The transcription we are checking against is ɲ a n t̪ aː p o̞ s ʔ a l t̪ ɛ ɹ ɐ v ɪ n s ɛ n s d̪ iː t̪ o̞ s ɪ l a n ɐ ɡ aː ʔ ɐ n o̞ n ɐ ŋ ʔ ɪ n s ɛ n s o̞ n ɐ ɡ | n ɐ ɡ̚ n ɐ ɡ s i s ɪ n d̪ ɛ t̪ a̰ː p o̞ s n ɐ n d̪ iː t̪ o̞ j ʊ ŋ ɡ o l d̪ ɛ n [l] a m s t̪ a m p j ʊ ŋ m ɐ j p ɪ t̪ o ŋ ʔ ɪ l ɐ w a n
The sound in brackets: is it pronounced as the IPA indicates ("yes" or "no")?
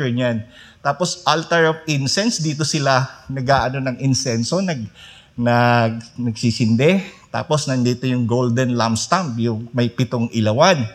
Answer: yes